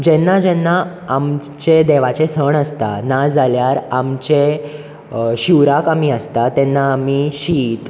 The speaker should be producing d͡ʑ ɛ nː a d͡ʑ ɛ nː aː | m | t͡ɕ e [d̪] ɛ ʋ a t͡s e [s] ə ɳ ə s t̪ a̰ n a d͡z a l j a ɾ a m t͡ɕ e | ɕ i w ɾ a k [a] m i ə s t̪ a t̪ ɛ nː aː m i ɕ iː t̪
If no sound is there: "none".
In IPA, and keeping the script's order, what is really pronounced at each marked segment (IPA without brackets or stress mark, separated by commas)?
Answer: d̪, s, a